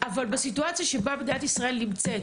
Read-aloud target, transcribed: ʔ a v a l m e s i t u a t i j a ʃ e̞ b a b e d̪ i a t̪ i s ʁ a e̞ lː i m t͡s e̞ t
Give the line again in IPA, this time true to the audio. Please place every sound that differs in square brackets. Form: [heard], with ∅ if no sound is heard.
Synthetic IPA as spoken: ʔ a v a l [b] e s i t u a [t͡s] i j a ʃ e̞ b a b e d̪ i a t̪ i s ʁ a e̞ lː i m t͡s e̞ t